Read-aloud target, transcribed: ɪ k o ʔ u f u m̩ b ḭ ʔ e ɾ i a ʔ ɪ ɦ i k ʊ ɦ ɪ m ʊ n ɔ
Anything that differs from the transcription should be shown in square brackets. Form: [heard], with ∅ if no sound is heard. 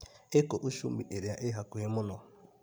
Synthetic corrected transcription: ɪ k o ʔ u [ʃ] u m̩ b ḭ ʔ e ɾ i a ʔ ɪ ɦ [a] k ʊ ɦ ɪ m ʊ n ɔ